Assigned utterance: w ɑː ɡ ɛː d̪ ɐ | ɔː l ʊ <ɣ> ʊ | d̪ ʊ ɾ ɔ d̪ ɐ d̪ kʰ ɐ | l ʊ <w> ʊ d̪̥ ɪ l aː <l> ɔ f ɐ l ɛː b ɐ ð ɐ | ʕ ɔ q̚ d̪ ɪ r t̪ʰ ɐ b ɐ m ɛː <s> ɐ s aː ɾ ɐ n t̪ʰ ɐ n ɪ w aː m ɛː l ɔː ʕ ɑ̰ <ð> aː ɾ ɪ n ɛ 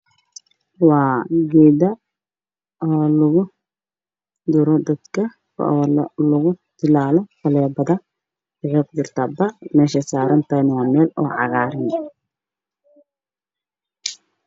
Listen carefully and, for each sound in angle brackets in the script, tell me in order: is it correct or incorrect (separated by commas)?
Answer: correct, incorrect, correct, incorrect, incorrect